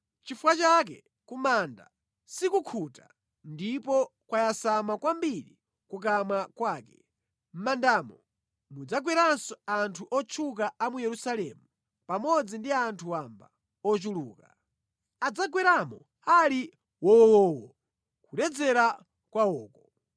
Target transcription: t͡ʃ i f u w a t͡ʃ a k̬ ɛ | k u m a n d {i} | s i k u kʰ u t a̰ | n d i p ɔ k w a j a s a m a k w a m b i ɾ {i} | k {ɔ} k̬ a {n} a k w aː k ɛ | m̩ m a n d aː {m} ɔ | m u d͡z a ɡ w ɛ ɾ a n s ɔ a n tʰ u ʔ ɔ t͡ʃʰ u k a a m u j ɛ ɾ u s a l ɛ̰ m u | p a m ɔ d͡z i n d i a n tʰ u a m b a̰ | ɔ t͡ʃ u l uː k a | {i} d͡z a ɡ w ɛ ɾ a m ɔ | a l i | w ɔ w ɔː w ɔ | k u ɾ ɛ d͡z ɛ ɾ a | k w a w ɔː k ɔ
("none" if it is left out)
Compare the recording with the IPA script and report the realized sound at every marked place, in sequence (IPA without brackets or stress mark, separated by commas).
a, i, u, m, m, a